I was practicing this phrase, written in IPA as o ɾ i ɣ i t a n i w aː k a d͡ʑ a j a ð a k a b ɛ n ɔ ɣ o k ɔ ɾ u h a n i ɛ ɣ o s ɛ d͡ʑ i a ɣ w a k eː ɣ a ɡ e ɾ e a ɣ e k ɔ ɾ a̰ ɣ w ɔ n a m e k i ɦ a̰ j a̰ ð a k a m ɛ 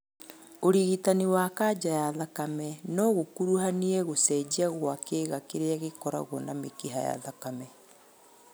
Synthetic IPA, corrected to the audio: o ɾ i ɣ i t a n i w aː k a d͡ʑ a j a ð a k a m ɛ n ɔ ɣ o k u ɾ u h a n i ɛ ɣ o s ɛ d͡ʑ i a ɣ w a k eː ɣ a k e ɾ e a ɣ e k ɔ ɾ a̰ ɣ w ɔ n a m e k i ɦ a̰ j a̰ ð a k a m ɛ

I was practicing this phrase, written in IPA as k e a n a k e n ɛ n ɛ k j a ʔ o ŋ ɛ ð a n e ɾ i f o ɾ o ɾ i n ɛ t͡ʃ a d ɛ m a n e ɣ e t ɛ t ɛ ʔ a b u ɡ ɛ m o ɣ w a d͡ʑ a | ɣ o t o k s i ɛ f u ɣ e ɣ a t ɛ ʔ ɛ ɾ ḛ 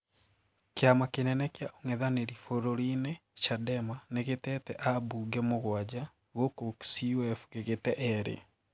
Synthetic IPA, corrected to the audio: k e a m a k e n ɛ n ɛ k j a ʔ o ŋ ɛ ð a n e ɾ i f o ɾ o ɾ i n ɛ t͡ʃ a d ɛ m a n e ɣ e t ɛ t ɛ ʔ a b u ɡ ɛ m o ɣ w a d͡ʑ a | ɣ o k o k s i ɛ f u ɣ e ɣ e t ɛ ʔ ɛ ɾ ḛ

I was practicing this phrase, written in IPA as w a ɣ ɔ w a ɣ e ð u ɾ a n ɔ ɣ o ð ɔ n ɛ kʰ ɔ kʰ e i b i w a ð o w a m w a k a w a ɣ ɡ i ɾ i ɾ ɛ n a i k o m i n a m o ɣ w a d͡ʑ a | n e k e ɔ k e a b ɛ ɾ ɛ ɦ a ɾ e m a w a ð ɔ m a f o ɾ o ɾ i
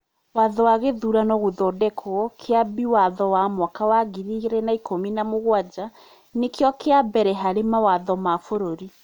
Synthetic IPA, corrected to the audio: w a ð ɔ w a ɣ e ð u ɾ a n ɔ ɣ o ð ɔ d ɛ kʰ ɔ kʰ e a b i w a ð ɔ w a m w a k a w a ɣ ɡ i ɾ i ɾ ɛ n a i k o m i n a m o ɣ w a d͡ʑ a | n e k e ɔ k e a b ɛ ɾ ɛ ɦ a ɾ e m a w a ð ɔ m a f o ɾ o ɾ i

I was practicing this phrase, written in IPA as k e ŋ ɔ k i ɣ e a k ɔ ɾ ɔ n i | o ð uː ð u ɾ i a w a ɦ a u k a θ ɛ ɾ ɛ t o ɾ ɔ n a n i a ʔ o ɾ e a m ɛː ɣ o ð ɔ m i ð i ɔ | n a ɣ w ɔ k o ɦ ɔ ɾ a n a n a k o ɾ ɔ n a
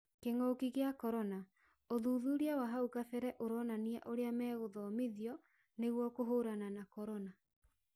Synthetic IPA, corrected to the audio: k e ŋ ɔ k i ɣ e a k ɔ ɾ ɔ n a | o ð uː ð u ɾ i a w a ɦ a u k a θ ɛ ɾ ɛ ʔ o ɾ ɔ n a n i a ʔ o ɾ e a m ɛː ɣ o ð ɔ m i ð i ɔ | n e ɣ w ɔ k o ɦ o ɾ a n a n a k ɔ ɾ ɔ n a

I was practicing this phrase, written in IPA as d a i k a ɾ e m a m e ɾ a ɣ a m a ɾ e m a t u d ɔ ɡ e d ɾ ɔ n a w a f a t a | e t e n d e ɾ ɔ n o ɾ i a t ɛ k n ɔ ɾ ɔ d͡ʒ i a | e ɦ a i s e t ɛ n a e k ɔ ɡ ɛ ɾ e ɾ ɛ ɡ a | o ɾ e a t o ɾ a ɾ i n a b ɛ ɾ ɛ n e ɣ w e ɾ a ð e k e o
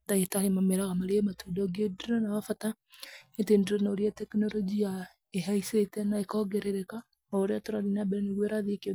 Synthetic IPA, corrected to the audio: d a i t a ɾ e m a m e ɾ a ɣ a m a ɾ e m a t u d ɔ ɡ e d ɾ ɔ n a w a f a t a | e t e n d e ɾ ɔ n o ɾ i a t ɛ k n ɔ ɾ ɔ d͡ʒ i a | e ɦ a i s e t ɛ n a e k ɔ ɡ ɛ ɾ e ɾ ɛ k a | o ɾ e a t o ɾ a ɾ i n a b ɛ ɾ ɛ n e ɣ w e ɾ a ð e k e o

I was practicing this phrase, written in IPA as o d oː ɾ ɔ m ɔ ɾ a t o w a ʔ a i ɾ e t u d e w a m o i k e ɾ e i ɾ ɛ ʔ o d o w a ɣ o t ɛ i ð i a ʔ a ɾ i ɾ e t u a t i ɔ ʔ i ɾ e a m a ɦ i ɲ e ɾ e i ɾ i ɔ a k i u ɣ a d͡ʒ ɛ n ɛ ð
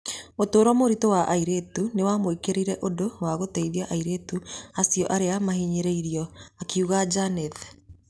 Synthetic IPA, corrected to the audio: o t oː ɾ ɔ m o ɾ i t o w a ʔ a i ɾ e t u n e w a m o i k e ɾ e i ɾ ɛ ʔ o d o w a ɣ o t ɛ i ð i a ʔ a i ɾ e t u a s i ɔ ʔ a ɾ e a m a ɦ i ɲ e ɾ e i ɾ i ɔ a k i u ɣ a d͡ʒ a n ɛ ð

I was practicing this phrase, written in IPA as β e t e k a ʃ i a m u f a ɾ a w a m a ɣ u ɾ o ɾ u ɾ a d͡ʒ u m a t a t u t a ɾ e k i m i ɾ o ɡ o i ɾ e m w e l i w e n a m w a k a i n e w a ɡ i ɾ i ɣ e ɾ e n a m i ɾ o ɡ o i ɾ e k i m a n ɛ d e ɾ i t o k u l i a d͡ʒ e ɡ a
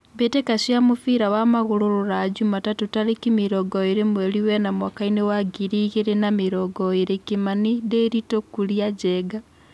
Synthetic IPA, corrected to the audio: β e t e k a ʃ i a m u f i ɾ a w a m a ɣ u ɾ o ɾ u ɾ a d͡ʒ u m a t a t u t a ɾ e k i m i ɾ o ɡ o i ɾ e m w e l i w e n a m w a k a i n e w a ɡ i ɾ i ɣ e ɾ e n a m i ɾ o ɡ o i ɾ e k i m a n i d e ɾ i t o k u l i a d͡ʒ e ɡ a

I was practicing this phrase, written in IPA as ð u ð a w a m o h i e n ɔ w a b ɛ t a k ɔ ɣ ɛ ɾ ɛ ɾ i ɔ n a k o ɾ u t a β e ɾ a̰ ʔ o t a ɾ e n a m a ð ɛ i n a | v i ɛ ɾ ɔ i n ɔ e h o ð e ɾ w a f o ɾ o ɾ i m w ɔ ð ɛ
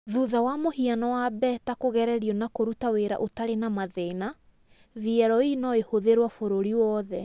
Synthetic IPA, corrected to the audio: ð u ð a w a m o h i a n ɔ w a b ɛ t a k o ɣ ɛ ɾ ɛ ɾ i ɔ n a k o ɾ u t a w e ɾ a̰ ʔ o t a ɾ e n a m a ð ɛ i n a | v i ɛ ɾ ɔ i n ɔ e h o ð e ɾ w a f o ɾ o ɾ i w ɔ ð ɛ

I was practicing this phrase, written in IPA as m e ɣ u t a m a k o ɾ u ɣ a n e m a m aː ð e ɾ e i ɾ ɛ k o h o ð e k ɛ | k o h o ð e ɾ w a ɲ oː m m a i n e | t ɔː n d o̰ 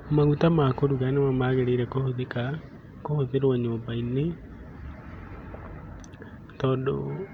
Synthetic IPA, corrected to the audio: m a ɣ u t a m a k o ɾ u ɣ a n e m a m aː ɣ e ɾ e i ɾ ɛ k o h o ð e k a | k o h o ð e ɾ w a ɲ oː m b a i n e | t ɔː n d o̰

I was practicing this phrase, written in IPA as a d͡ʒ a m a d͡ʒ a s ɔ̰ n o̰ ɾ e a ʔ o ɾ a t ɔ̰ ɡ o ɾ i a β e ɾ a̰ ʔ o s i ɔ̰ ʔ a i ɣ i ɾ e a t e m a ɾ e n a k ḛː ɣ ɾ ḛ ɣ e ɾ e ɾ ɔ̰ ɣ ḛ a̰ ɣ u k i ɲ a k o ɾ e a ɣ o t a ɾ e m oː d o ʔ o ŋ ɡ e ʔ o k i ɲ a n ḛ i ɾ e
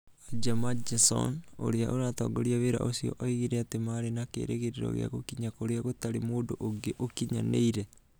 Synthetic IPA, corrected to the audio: a d͡ʒ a m a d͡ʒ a s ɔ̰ n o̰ ɾ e a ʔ o ɾ a t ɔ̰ ɡ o ɾ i a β e ɾ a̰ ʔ o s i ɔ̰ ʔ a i ɣ i ɾ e a t e m a ɾ e n a k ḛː ɾ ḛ ɣ e ɾ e ɾ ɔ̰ ɣ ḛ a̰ ɣ o k i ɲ a k o ɾ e a ɣ o t a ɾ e m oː d o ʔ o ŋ ɡ e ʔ o k i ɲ a n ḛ i ɾ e

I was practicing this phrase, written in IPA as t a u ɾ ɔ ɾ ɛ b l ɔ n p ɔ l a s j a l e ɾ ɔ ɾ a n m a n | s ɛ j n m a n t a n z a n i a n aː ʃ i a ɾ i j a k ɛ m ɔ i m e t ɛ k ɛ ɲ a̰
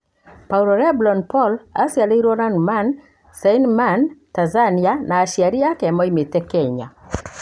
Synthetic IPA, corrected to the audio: p a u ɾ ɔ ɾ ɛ b l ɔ n p ɔ l a s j a l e ɾ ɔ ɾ a n m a n | s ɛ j n m a n t a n z a n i a n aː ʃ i a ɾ i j a k ɛ m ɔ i m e t ɛ k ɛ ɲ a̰

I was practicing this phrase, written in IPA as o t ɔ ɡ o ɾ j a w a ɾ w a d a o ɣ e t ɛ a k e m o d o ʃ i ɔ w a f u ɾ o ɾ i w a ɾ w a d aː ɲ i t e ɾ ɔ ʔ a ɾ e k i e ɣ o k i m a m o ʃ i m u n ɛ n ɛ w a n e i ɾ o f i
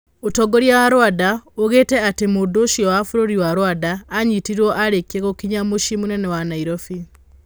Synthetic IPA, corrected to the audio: o t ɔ ɡ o ɾ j a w a ɾ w a d a o ɣ e t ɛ a t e m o d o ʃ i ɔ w a f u ɾ o ɾ i w a ɾ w a d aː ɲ i t i ɾ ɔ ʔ a ɾ e k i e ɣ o k i ɲ a m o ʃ i m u n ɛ n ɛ w a n a i ɾ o f i

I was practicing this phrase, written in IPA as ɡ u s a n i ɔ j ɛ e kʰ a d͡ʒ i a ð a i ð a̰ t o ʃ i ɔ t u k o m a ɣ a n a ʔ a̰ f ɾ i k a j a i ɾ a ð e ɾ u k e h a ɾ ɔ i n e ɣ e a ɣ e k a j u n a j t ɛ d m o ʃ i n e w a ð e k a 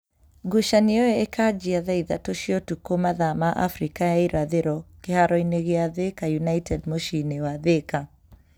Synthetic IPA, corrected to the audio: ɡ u ʃ a n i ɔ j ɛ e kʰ a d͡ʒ i a ð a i ð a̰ t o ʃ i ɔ t u k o m a ð a m a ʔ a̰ f ɾ i k a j a i ɾ a ð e ɾ ɔ k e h a ɾ ɔ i n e ɣ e a ð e k a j u n a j t ɛ d m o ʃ i n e w a ð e k a

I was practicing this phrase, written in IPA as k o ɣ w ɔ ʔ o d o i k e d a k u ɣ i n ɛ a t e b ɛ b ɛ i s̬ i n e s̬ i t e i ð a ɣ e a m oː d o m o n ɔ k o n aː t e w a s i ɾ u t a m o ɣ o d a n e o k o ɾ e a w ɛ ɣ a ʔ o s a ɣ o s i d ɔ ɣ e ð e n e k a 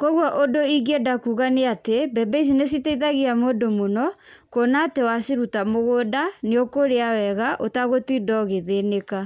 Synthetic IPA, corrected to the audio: k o ɣ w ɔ ʔ o d o i ɡ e d a k u ɣ a n e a t e b ɛ b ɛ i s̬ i n e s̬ i t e i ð a ɣ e a m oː d o m o n ɔ k o n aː t e w a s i ɾ u t a m o ɣ o d a n e o k o ɾ e a w ɛ ɣ a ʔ o t a ɣ o t i d ɔ ɣ e ð e n e k a

